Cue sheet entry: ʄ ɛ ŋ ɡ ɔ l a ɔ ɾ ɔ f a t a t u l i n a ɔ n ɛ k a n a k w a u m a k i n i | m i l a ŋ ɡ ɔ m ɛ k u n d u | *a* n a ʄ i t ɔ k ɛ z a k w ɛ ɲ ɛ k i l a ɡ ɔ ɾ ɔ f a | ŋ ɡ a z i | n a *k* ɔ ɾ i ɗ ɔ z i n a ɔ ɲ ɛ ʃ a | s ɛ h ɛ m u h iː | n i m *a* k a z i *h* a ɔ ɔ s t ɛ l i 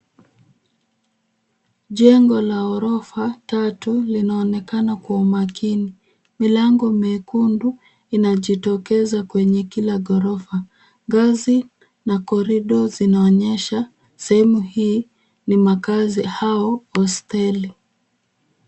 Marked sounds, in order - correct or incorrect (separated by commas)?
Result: incorrect, correct, correct, correct